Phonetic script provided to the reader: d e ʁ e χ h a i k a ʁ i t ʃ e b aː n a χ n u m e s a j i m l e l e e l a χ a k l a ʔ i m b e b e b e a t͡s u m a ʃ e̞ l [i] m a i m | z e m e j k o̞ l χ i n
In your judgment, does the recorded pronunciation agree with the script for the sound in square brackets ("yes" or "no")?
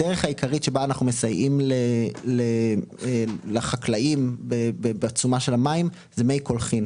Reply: no